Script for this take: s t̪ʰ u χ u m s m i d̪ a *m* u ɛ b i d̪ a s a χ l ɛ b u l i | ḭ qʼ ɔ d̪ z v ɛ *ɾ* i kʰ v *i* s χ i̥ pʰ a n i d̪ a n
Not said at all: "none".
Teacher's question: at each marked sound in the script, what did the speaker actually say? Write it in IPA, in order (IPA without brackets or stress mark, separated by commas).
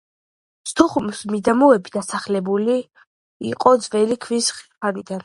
m, l, i